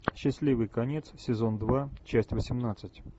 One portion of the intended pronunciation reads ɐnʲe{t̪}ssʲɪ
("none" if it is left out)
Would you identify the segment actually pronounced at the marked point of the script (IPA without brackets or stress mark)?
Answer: t̪